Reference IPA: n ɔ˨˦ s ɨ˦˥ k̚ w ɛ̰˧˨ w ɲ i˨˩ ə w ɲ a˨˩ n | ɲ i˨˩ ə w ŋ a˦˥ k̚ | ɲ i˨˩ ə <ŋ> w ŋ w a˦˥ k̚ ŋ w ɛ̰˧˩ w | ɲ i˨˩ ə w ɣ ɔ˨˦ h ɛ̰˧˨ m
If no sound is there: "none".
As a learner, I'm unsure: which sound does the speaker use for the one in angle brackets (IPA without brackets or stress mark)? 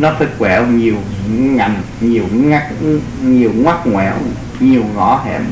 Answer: none